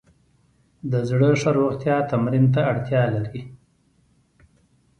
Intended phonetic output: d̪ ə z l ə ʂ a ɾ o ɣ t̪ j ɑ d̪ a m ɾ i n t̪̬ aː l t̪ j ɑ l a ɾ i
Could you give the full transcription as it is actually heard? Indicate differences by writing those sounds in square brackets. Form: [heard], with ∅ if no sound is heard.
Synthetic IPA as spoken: d̪ ə z [ɽ] ə ʂ a ɾ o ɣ t̪ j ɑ [t̪] a m ɾ i n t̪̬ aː [ɽ] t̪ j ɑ l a ɾ i

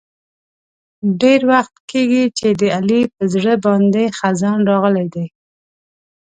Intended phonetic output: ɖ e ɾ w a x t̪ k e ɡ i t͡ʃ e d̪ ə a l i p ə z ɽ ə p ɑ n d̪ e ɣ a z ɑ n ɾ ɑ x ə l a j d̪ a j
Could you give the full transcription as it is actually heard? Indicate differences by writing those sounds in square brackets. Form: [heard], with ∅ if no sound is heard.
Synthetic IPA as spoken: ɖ e ɾ w a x t̪ k e ɡ i t͡ʃ e d̪ ə a l i p ə z ɽ ə [b] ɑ n d̪ e [x] a z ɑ n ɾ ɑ [ɣ] ə l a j d̪ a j

